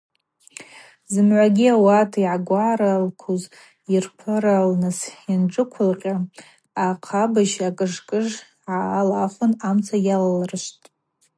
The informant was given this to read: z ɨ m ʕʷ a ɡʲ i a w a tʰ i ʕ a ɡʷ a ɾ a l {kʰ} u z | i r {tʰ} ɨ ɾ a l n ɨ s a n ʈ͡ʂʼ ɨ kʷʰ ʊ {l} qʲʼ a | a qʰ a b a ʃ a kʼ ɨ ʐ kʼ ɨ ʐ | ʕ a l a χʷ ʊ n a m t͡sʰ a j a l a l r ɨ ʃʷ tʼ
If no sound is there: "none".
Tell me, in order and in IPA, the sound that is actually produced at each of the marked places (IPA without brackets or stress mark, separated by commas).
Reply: kʰ, pʰ, l